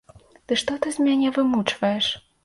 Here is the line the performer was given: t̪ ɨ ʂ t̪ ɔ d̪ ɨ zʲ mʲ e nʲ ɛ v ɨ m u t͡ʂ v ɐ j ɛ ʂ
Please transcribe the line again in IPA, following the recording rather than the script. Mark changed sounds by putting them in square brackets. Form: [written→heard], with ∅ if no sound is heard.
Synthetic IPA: t̪ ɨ ʂ t̪ ɔ [d̪→t̪] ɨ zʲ mʲ [e→a] nʲ ɛ v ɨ m u t͡ʂ v ɐ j ɛ ʂ